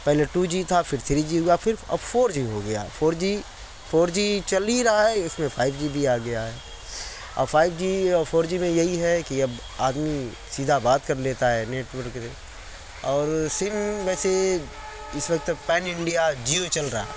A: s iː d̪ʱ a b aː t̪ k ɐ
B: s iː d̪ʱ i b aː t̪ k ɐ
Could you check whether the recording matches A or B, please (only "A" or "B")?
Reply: A